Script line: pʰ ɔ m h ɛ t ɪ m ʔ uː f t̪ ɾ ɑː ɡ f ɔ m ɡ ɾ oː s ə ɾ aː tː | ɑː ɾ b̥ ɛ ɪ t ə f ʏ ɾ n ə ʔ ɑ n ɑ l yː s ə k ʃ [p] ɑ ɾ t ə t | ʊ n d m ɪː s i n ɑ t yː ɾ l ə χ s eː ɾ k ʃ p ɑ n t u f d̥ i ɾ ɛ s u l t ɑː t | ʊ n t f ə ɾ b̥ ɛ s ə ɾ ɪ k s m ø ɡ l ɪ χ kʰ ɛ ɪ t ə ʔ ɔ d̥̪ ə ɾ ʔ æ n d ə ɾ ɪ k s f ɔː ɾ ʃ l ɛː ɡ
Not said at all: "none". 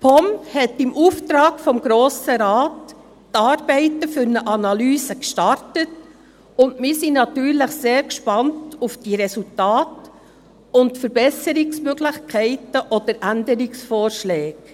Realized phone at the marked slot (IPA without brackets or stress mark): t